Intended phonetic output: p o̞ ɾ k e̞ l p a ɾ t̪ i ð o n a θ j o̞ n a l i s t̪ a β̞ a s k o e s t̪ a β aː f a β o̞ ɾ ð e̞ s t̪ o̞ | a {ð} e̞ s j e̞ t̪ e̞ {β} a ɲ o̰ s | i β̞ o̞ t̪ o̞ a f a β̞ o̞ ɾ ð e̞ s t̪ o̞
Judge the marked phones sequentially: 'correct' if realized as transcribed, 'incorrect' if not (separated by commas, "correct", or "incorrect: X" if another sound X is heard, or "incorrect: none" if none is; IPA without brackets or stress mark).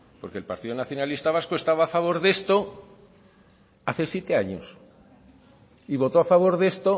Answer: incorrect: θ, incorrect: none